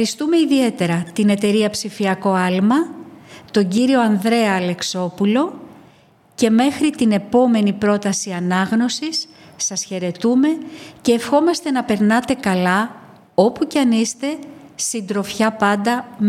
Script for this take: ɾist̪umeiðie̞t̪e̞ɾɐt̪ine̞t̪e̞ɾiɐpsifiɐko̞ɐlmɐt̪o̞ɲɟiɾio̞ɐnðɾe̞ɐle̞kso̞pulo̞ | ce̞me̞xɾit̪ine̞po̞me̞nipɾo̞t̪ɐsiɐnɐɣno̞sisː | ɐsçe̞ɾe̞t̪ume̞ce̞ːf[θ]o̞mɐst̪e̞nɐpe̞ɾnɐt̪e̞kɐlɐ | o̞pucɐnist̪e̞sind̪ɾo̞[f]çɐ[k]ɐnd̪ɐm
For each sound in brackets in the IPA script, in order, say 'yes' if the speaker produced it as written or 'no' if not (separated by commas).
no, yes, no